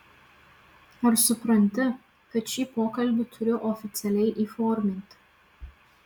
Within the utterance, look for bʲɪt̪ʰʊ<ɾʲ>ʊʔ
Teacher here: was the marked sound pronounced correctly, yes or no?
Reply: yes